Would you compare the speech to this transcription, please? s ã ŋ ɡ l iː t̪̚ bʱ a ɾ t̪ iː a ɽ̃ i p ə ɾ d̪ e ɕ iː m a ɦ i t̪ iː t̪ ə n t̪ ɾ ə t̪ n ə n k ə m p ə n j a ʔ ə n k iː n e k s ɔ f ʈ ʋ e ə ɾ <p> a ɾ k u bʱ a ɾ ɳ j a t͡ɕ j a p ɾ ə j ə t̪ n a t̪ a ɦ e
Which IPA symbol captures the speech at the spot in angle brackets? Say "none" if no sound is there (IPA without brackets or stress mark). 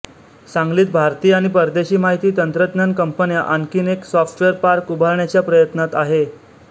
p